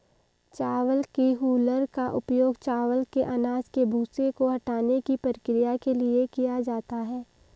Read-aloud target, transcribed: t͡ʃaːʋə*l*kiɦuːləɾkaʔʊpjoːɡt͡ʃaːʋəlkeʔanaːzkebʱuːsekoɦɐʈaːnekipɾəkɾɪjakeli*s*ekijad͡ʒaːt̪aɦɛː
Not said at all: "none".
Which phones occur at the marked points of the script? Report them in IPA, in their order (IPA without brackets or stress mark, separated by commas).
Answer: l, none